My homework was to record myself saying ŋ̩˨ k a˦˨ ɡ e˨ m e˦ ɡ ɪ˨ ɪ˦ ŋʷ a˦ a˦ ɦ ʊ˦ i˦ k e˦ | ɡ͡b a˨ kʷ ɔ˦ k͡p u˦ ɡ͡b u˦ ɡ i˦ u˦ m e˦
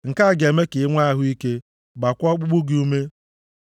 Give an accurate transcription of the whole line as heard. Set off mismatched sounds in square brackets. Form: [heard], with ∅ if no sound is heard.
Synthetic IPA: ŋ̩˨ k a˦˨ ɡ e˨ m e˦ [k] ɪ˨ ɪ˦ ŋʷ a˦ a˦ ɦ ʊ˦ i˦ k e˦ | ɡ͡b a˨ kʷ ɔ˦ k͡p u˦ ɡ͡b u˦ ɡ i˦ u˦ m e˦

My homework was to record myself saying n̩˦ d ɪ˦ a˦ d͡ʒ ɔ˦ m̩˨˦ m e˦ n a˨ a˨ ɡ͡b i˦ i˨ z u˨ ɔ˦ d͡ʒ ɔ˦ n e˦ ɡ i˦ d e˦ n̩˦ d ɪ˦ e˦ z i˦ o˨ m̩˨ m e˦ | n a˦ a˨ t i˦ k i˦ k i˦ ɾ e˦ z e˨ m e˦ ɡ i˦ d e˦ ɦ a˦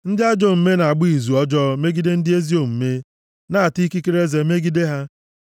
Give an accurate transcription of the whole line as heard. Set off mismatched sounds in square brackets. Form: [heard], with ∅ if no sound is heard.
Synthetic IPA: n̩˦ d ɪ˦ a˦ d͡ʒ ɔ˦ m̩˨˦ m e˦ n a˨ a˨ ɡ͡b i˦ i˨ z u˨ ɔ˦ d͡ʒ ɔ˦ [m] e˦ ɡ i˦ d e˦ n̩˦ d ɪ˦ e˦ z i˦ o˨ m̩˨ m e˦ | n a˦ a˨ t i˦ k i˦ k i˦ ɾ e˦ z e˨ m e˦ ɡ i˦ d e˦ ɦ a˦

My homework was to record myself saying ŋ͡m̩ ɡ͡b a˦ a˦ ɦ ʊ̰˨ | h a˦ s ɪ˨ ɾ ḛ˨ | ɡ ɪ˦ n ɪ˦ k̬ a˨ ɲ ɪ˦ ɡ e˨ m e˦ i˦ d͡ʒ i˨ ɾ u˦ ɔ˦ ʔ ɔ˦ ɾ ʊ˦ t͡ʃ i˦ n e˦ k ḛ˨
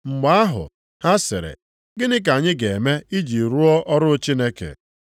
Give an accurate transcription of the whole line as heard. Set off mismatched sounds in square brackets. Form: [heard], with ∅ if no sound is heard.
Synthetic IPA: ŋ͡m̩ ɡ͡b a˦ a˦ ɦ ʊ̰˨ | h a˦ s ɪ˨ ɾ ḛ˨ | ɡ ɪ˦ n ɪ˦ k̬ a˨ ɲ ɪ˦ ɡ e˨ m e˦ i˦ d͡ʒ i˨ ɾ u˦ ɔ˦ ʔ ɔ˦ ɾ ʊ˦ t͡ʃ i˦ n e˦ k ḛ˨

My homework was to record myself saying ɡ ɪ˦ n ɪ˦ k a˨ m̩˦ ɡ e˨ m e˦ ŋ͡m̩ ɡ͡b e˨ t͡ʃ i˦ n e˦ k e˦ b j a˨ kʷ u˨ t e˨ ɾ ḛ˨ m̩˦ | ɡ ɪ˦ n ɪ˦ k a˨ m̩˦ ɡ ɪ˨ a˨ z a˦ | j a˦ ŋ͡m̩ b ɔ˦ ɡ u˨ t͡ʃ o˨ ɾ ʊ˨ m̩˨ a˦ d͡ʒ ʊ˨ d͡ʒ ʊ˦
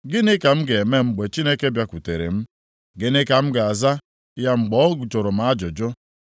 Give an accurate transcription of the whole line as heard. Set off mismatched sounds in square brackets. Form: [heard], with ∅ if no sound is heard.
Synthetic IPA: ɡ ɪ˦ n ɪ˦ k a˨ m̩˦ ɡ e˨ m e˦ ŋ͡m̩ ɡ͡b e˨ t͡ʃ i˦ n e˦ k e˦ b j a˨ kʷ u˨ t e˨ ɾ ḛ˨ m̩˦ | ɡ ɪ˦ n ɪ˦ k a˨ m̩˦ ɡ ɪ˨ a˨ z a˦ | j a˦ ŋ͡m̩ [ɡ͡b] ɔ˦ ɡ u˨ t͡ʃ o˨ ɾ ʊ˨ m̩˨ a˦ d͡ʒ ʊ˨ d͡ʒ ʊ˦

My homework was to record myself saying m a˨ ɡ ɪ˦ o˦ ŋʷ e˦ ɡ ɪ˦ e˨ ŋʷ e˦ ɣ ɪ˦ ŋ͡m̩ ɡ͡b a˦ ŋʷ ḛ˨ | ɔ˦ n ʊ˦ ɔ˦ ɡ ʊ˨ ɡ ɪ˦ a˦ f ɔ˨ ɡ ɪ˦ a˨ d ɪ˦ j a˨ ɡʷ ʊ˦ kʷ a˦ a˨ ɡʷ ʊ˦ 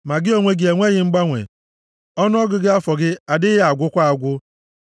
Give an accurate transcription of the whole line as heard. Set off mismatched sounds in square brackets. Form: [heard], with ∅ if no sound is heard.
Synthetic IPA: m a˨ ɡ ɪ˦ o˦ ŋʷ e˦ ɡ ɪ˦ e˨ ŋʷ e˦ ɣ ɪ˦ ŋ͡m̩ ɡ͡b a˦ ŋʷ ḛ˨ | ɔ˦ n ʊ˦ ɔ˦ ɡ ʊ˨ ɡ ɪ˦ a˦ f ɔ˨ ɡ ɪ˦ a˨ d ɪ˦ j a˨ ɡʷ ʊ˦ kʷ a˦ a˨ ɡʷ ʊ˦

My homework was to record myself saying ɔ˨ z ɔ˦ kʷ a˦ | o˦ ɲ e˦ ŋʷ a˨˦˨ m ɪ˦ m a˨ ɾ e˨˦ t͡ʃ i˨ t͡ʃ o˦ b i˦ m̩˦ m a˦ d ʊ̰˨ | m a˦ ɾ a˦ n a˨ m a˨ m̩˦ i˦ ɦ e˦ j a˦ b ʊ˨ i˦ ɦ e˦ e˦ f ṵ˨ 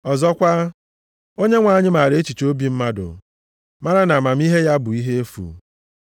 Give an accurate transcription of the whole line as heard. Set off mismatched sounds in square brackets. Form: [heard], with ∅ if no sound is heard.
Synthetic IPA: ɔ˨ z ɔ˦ kʷ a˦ | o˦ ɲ e˦ ŋʷ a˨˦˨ [ɲ] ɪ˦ m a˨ ɾ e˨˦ t͡ʃ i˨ t͡ʃ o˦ b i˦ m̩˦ m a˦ d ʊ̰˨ | m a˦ ɾ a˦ n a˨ m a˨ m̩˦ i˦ ɦ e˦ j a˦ b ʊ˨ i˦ ɦ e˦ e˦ f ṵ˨

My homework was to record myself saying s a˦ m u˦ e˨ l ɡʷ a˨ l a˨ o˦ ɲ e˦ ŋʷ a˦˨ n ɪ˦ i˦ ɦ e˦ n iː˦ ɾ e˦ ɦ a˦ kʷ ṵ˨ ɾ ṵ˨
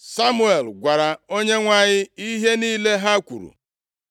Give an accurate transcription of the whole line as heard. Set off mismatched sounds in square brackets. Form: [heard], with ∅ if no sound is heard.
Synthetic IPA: s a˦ m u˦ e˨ l ɡʷ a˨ [ɾ] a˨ o˦ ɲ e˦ ŋʷ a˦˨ [ɲ] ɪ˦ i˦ ɦ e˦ n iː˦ [l] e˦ ɦ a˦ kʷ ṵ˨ ɾ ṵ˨

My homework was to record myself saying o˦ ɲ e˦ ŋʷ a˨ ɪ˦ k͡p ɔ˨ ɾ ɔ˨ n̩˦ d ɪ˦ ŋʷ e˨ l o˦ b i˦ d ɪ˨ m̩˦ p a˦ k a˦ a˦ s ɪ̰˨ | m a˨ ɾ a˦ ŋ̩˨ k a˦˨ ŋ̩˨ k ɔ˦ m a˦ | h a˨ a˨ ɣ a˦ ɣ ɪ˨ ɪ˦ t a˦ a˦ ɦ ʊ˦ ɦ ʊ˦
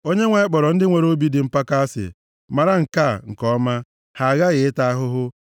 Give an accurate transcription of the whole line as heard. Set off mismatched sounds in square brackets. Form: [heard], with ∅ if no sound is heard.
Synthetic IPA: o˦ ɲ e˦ ŋʷ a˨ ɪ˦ k͡p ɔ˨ ɾ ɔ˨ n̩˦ d ɪ˦ ŋʷ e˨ [ɾ] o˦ b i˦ d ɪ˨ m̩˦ p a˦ k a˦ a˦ s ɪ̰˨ | m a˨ ɾ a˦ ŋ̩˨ k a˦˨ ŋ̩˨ k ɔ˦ m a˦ | h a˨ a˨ ɣ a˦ ɣ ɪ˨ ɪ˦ t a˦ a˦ ɦ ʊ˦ ɦ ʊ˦

